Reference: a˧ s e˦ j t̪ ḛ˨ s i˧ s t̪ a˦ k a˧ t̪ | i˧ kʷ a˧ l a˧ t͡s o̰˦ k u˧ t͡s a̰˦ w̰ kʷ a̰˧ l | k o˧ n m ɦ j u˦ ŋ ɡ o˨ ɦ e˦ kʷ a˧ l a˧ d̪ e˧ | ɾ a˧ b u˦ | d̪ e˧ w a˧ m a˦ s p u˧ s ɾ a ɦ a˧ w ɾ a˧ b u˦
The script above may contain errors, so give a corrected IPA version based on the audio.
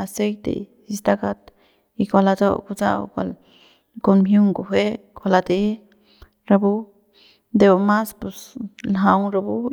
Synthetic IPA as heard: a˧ s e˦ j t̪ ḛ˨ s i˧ s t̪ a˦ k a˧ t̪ | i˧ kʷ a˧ l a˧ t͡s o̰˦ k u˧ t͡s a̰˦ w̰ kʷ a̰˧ l | k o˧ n m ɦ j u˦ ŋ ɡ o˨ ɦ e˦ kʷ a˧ l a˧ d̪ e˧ | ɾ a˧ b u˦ | d̪ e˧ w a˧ m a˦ s p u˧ s l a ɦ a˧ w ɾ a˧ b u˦